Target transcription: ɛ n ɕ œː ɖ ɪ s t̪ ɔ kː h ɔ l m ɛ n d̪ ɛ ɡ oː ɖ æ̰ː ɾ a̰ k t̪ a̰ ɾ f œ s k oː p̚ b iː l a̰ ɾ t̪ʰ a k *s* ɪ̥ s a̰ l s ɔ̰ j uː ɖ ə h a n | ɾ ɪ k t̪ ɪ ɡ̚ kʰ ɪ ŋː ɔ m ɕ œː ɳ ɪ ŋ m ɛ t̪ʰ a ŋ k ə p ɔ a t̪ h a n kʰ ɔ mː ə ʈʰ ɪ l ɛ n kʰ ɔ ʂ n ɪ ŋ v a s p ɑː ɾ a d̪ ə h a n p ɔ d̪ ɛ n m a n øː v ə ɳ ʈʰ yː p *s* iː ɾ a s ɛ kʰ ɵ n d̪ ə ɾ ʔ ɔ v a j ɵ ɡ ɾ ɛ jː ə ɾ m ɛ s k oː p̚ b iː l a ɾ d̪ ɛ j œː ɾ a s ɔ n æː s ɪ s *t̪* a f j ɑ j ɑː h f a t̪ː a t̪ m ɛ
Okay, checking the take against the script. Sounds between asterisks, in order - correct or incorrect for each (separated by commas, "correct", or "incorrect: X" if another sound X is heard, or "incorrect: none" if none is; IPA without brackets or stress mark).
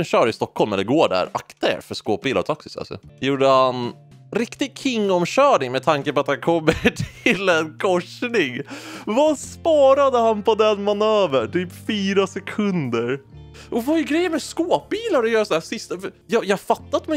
correct, incorrect: f, correct